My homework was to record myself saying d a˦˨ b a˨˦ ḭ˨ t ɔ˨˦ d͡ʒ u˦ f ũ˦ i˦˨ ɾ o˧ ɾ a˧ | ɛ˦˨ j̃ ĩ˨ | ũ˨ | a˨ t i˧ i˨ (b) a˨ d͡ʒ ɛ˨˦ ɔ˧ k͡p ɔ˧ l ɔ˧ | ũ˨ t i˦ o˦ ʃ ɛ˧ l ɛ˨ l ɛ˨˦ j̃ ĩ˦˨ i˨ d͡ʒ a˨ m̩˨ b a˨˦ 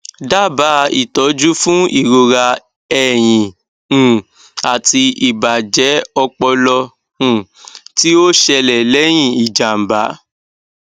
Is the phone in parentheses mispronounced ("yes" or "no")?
no